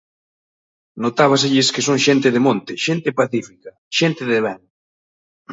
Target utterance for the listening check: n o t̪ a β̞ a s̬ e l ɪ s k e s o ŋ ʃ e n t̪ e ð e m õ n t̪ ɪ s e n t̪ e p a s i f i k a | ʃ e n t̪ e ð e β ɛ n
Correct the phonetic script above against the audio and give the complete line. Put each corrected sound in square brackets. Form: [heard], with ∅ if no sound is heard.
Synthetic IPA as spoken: n o t̪ a β̞ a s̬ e [ʎ] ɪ s k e s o ŋ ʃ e n t̪ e ð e m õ n t̪ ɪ [ʃ] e n t̪ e p a [θ] i f i k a | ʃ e n t̪ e ð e β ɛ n